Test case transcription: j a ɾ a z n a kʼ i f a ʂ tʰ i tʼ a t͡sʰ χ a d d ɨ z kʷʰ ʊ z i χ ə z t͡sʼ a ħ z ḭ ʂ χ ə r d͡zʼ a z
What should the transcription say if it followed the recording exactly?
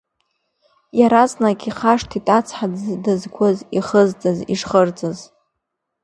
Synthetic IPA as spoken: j a ɾ a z n a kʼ i χ a ʂ tʰ i tʼ a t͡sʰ ħ a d d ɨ z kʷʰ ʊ z i χ ə z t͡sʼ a z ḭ ʂ χ ə r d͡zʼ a z